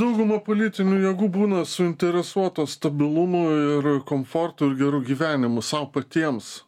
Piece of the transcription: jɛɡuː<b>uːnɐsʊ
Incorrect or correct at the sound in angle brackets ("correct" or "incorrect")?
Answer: correct